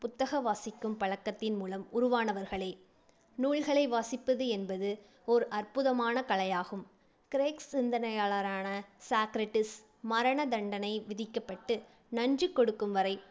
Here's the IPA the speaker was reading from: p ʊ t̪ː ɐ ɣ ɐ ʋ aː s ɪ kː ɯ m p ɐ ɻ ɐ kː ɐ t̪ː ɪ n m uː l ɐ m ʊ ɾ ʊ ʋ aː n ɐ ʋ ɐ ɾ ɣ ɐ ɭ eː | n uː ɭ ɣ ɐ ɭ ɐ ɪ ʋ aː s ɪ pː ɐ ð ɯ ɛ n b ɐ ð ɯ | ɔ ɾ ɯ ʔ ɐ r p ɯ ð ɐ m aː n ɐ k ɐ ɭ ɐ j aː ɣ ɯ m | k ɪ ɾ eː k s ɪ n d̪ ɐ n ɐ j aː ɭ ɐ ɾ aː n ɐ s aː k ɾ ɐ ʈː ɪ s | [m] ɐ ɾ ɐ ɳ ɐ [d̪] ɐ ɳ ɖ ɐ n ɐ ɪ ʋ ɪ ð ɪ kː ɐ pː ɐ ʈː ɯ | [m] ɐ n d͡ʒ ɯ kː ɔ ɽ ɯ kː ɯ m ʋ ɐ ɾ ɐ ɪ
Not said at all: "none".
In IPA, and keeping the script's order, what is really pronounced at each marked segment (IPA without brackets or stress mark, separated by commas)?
m, d̪, n